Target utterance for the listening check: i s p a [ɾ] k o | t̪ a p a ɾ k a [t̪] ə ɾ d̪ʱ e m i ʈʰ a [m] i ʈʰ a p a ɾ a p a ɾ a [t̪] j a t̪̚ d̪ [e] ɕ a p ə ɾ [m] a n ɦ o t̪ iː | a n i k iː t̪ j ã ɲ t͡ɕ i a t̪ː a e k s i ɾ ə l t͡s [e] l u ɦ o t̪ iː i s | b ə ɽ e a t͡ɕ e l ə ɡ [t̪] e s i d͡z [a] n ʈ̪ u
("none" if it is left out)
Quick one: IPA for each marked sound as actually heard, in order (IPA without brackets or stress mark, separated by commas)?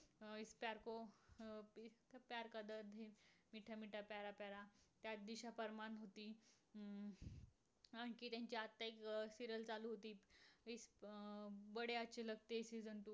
ɾ, d̪, m, t̪, i, m, a, t̪, ə